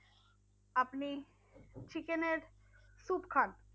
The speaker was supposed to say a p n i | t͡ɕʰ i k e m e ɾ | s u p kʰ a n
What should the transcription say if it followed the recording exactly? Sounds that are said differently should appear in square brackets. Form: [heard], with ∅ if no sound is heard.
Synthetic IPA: a p n i | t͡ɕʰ i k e [n] e ɾ | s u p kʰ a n